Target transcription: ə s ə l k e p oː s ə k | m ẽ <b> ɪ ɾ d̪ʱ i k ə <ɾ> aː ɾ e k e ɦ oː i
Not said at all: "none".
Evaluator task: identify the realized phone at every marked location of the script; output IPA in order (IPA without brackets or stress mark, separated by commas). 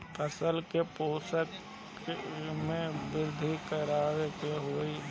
b, ɾ